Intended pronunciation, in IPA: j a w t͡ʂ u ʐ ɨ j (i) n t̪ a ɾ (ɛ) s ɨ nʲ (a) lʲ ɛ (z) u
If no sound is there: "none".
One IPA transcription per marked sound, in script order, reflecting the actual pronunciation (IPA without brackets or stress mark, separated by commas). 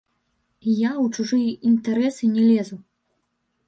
i, ɛ, ɛ, z